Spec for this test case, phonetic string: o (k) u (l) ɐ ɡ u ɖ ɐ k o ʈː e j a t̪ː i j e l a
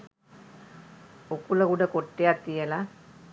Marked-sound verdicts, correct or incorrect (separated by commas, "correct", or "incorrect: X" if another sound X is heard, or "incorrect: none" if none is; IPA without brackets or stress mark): correct, correct